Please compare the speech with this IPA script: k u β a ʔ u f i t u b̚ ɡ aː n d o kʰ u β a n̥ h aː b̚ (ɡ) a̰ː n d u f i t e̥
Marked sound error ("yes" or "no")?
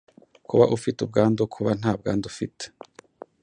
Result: no